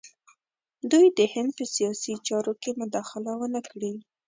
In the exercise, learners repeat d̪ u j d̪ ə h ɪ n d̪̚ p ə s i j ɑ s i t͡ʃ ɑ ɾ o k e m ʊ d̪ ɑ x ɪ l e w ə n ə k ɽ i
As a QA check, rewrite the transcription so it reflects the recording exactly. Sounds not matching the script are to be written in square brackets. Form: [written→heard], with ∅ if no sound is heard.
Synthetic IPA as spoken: d̪ u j d̪ ə h ɪ n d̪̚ p ə s i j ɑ s i t͡ʃ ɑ ɾ o k e m ʊ d̪ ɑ x ɪ l [e→a] w ə n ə k ɽ i